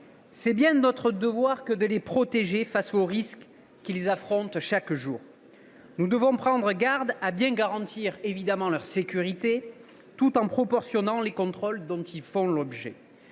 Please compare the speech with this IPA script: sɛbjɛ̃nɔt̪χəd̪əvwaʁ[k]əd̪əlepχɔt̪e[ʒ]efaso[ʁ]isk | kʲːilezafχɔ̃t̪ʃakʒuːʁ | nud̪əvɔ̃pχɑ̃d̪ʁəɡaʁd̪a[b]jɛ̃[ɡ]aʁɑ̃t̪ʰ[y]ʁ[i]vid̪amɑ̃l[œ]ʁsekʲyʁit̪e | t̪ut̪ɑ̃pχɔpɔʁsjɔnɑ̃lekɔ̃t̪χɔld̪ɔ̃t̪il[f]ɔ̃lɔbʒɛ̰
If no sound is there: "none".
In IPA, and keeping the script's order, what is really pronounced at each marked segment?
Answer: k, ʒ, ʁ, b, ɡ, i, e, œ, f

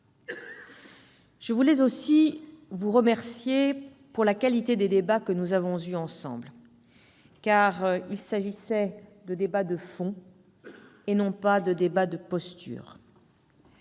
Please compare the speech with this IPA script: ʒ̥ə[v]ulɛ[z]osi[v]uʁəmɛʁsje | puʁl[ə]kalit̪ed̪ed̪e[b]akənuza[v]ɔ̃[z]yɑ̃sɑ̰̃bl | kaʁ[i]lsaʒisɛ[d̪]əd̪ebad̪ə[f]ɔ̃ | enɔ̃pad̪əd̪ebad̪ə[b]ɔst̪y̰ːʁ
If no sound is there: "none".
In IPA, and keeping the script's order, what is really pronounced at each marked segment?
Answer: v, z, v, a, b, v, z, i, d̪, f, p

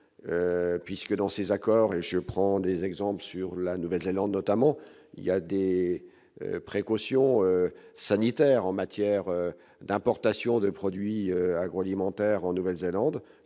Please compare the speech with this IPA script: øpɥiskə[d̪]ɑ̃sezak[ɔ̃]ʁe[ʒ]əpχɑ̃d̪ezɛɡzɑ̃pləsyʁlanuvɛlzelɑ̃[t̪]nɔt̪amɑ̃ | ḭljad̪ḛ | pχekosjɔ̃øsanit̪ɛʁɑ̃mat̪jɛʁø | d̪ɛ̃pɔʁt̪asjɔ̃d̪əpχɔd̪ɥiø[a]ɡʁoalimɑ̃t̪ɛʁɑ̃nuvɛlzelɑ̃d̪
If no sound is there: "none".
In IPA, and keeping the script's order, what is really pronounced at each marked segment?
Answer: d̪, ɔ, ʒ, d̪, a

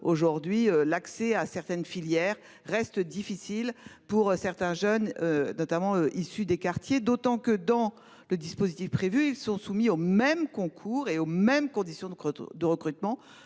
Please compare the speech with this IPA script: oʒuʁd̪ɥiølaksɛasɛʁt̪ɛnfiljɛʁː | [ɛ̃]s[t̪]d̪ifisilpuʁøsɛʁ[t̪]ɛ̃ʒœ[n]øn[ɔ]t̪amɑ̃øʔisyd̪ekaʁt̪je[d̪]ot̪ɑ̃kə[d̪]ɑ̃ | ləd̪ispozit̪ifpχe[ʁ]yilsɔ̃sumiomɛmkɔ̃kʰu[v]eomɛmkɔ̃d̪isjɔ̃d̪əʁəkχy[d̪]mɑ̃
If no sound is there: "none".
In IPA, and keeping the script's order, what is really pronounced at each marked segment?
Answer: ɛ, t̪, t̪, n, ɔ, d̪, d̪, v, ʁ, t̪

